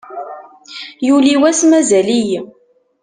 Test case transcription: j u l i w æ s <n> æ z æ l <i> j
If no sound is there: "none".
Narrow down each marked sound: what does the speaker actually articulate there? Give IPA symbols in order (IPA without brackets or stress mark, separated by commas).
m, i